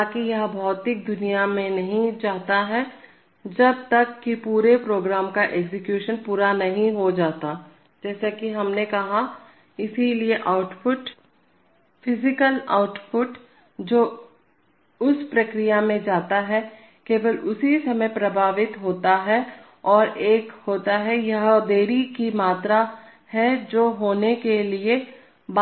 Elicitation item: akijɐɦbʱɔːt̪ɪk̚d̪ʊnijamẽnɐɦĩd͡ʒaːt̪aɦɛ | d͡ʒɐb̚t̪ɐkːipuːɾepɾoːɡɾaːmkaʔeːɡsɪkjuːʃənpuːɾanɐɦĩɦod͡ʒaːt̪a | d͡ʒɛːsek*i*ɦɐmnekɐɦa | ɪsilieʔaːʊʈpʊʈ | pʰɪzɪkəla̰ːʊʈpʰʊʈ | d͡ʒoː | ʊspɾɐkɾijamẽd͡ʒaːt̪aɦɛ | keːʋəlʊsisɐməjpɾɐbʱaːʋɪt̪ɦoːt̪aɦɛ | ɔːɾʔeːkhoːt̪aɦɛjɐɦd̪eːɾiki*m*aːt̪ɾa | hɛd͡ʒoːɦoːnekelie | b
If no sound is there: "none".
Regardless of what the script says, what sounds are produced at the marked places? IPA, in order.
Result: i, m

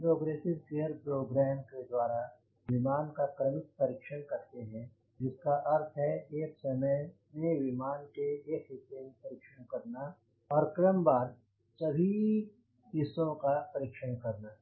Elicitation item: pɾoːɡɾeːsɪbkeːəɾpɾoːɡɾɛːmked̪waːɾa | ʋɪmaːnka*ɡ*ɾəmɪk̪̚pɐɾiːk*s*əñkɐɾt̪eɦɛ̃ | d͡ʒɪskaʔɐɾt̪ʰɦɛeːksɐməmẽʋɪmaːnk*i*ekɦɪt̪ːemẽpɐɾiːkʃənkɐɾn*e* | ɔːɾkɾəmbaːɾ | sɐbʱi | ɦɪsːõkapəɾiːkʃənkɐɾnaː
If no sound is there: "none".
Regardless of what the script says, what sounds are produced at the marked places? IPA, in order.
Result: k, ʃ, e, a

